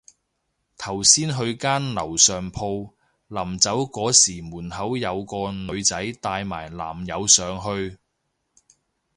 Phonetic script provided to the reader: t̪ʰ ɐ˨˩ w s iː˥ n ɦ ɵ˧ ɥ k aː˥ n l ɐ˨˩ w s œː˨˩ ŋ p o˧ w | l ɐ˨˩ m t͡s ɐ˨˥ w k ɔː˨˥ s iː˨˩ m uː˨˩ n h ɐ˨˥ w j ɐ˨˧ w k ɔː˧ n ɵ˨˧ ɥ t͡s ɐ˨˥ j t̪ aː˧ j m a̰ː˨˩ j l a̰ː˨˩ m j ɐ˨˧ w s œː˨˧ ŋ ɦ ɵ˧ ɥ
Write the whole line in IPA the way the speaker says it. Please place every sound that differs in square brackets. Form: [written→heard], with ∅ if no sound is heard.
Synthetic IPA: t̪ʰ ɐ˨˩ w s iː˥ n ɦ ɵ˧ ɥ k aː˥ n l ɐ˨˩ w s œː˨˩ ŋ [p→pʰ] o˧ w | l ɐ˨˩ m t͡s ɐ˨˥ w k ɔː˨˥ s iː˨˩ m uː˨˩ n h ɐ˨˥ w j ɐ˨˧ w k ɔː˧ n ɵ˨˧ ɥ t͡s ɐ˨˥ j t̪ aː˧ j m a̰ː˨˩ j l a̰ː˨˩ m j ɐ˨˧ w s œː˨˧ ŋ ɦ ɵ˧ ɥ

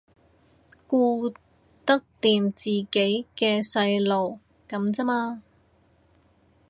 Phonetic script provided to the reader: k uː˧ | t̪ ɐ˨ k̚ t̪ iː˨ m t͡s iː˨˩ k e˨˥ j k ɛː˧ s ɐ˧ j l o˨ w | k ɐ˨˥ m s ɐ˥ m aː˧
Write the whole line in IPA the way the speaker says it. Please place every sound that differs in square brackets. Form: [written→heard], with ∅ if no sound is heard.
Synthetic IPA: k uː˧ | t̪ [ɐ˨→ɐ˥] k̚ t̪ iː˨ m t͡s iː˨˩ k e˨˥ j k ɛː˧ s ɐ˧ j l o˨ w | k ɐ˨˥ m [s→t͡s] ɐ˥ m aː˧

